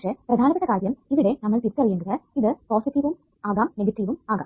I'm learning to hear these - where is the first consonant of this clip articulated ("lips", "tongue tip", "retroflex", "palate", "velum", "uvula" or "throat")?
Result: retroflex